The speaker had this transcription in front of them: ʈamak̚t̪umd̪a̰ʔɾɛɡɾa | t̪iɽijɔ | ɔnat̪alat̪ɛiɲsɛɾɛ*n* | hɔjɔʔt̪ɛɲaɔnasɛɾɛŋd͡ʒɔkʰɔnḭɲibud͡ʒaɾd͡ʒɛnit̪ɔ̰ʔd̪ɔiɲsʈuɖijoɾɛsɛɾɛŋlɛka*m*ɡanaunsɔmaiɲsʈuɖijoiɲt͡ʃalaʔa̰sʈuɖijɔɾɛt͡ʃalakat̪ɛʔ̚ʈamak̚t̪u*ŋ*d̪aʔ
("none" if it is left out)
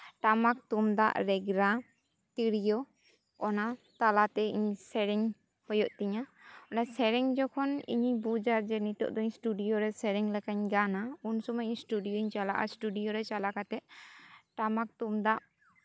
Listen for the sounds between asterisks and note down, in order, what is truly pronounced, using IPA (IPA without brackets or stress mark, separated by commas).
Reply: ŋ, ɲ, m